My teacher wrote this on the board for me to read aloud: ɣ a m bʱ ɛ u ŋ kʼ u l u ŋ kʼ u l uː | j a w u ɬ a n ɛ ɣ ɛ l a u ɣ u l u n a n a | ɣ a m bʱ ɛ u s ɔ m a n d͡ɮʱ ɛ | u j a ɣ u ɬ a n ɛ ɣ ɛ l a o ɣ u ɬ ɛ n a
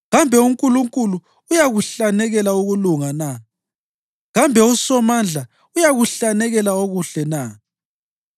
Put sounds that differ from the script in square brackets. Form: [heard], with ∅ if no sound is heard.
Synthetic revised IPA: ɣ a m bʱ ɛ u ŋ kʼ u l u ŋ kʼ u l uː | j a [ɣ] u ɬ a n ɛ ɣ ɛ l a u ɣ u l u [ŋ] a n a | ɣ a m bʱ ɛ u s ɔ m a n d͡ɮʱ [a] | u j a ɣ u ɬ a n ɛ ɣ ɛ l a o ɣ u ɬ ɛ n a